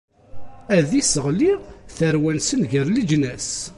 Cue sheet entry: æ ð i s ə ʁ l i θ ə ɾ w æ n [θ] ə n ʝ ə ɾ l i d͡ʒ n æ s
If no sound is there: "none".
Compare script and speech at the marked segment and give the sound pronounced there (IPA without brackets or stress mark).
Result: s